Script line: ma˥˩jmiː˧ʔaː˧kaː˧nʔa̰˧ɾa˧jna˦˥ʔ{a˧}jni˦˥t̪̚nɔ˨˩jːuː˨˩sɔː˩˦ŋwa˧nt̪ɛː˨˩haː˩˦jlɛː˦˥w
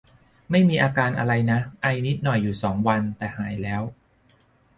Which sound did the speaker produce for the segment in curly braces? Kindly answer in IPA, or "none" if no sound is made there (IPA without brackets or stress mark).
a˧